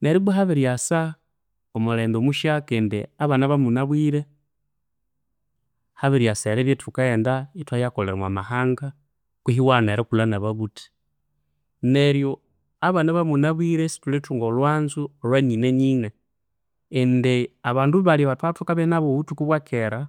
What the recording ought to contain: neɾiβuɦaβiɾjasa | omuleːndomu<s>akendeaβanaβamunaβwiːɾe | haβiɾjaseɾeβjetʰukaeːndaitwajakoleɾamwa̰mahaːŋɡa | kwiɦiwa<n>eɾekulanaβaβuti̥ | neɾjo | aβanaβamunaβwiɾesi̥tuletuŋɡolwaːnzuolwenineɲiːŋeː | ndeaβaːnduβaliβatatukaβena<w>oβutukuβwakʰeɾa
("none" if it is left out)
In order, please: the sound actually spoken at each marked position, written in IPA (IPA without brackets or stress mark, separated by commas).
ʃ, n, β